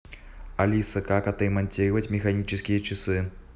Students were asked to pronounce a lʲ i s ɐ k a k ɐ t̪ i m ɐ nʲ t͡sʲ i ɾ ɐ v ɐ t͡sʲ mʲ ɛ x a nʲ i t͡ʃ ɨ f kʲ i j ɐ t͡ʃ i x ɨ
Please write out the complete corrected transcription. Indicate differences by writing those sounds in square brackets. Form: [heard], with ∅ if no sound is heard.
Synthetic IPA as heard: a lʲ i s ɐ k a k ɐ t̪ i m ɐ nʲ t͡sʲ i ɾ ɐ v ɐ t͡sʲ mʲ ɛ x a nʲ i t͡ʃ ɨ [s] kʲ i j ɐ t͡ʃ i [s] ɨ